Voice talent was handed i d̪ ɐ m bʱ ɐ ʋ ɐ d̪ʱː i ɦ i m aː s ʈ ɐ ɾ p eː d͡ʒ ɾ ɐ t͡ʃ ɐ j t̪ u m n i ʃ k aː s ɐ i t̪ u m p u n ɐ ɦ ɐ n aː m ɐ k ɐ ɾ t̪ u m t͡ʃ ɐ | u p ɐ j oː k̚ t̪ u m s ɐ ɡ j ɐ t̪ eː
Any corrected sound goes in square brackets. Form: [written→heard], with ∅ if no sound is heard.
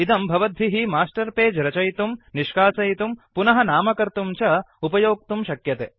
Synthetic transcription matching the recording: i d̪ ɐ m bʱ ɐ ʋ ɐ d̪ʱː i ɦ i m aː s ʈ ɐ ɾ p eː d͡ʒ ɾ ɐ t͡ʃ ɐ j t̪ u m n i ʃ k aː s ɐ [i→j] t̪ u m p u n ɐ ɦ ɐ n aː m ɐ k ɐ ɾ t̪ u m t͡ʃ ɐ | u p ɐ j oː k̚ t̪ u m [s→ʃ] ɐ [ɡ→k] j ɐ t̪ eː